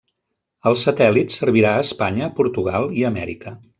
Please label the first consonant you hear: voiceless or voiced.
voiced